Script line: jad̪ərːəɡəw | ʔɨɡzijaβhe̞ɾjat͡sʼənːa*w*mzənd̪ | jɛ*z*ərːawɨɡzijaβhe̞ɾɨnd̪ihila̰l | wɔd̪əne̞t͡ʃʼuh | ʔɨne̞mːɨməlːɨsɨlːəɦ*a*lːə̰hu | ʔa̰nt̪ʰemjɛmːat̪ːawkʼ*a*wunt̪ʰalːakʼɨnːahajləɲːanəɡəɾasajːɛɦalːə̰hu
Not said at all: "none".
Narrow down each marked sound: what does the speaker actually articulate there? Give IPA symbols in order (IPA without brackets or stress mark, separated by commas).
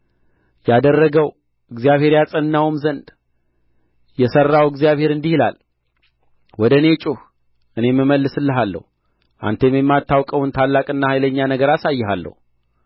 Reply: w, s, a, ə